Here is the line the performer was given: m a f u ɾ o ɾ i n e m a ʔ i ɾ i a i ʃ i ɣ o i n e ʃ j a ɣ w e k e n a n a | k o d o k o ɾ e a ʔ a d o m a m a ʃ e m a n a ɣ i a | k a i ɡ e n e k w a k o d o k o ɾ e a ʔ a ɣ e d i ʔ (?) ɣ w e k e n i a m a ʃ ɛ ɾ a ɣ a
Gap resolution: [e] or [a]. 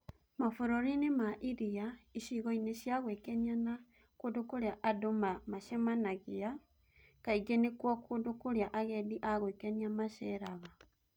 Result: a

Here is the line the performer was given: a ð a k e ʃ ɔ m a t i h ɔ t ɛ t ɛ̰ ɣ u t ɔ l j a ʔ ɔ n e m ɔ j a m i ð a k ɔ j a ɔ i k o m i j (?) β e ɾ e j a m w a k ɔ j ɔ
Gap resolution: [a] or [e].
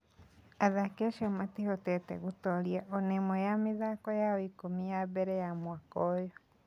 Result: a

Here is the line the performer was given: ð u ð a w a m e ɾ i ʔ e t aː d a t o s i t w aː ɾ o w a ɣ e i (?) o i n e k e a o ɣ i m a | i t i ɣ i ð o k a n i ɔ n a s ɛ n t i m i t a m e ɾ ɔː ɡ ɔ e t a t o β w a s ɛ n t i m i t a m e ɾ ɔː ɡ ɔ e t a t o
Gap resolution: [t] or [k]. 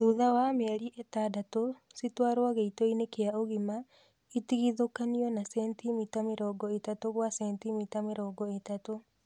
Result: t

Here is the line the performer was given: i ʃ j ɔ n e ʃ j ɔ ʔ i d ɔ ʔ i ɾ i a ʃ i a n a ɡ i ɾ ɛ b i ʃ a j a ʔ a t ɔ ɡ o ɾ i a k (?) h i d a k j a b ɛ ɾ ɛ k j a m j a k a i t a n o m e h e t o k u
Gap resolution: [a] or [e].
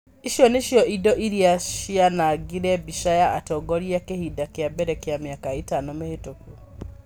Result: e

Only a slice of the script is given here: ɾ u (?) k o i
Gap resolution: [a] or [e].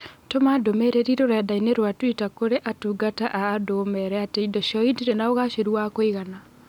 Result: a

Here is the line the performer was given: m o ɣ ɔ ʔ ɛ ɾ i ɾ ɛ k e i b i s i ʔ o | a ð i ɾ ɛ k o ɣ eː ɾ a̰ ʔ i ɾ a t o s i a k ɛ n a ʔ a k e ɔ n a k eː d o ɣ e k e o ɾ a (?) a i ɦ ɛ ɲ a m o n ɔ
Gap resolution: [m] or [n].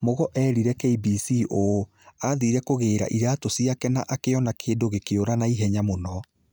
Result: n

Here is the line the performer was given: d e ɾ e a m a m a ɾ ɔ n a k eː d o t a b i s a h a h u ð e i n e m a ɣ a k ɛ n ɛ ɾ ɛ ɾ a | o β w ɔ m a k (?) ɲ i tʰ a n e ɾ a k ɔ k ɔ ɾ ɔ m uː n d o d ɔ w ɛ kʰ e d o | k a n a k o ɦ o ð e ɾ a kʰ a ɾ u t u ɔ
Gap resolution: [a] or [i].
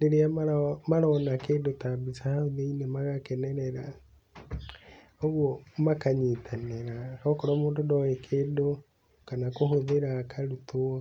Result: a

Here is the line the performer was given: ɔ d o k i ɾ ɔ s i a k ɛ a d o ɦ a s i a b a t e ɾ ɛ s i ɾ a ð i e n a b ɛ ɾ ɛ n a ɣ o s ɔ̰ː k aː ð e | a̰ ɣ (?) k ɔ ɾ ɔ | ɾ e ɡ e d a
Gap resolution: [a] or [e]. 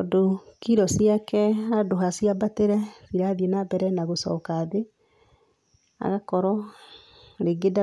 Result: a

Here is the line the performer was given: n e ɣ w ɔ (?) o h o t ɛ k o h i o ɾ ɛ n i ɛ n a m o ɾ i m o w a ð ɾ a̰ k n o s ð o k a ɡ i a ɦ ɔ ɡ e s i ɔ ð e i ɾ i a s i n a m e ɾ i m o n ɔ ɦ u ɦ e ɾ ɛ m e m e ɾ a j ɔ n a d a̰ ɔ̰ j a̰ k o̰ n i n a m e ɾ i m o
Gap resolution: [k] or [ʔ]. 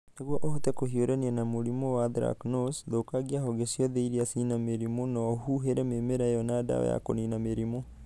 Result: ʔ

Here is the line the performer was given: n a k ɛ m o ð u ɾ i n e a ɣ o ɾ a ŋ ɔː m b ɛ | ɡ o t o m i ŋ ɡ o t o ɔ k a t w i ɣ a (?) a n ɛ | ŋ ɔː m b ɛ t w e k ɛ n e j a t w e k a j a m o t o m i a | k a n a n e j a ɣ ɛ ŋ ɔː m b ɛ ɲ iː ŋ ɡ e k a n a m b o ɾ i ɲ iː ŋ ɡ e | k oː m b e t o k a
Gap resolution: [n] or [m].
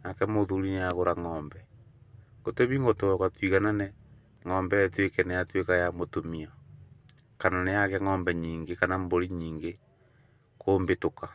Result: n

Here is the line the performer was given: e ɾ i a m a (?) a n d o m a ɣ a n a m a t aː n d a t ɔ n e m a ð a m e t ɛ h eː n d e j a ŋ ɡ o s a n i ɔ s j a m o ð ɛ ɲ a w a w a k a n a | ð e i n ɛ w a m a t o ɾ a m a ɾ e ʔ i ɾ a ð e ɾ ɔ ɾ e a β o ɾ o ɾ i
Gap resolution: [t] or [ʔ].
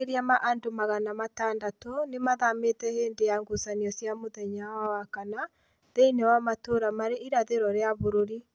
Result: ʔ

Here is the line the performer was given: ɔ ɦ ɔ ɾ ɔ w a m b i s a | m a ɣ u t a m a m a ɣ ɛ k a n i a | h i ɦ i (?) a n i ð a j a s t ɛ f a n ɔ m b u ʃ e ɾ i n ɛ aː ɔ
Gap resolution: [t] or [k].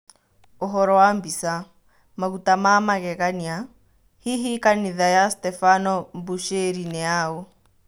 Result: k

